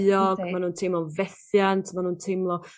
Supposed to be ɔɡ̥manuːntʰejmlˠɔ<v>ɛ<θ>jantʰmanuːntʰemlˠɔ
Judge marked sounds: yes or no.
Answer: yes, yes

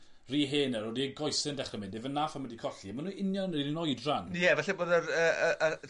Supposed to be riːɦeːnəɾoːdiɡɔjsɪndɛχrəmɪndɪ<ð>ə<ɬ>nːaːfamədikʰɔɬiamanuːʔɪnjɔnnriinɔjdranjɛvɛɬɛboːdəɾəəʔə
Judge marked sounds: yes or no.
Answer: no, no

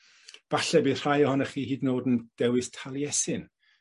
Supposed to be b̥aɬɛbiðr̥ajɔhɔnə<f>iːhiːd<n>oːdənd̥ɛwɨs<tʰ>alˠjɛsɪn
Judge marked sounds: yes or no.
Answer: no, yes, yes

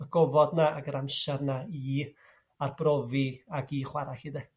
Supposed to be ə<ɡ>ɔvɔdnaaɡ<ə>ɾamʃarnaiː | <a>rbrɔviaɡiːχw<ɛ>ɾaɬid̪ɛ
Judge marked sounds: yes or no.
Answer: yes, yes, yes, no

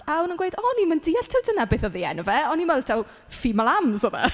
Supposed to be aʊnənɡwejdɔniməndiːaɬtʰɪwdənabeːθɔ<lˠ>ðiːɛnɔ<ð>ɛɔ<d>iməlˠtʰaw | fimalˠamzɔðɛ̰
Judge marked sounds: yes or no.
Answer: no, no, no

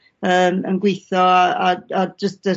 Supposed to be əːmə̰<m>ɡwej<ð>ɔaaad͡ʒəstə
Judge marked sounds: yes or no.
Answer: no, no

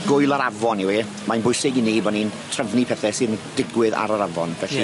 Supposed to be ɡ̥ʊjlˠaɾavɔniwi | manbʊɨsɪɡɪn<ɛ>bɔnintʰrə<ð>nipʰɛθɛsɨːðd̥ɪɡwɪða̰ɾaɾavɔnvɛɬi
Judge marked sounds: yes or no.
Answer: no, no

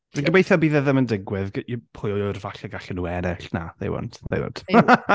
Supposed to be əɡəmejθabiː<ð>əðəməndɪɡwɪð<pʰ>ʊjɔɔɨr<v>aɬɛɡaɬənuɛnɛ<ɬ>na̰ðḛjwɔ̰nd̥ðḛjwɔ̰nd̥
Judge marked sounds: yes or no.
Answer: yes, yes, yes, yes

